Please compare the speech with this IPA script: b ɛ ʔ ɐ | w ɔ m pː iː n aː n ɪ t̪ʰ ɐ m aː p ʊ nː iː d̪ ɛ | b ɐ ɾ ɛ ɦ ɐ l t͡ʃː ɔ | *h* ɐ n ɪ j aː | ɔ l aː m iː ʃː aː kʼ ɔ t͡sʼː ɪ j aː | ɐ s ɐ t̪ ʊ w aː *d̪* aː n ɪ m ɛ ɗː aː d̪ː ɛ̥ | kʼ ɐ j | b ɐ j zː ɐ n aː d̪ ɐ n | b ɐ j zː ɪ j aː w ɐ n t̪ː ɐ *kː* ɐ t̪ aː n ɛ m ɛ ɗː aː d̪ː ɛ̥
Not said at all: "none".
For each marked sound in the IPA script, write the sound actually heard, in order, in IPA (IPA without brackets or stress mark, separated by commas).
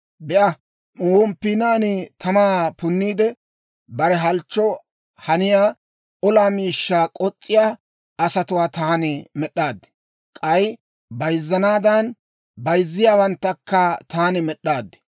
h, t̪, kː